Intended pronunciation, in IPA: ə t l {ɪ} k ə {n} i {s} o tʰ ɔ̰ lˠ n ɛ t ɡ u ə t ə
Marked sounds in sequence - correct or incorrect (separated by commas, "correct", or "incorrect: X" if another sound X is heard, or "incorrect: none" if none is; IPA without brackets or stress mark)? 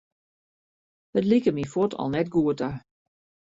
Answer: incorrect: i, incorrect: m, incorrect: f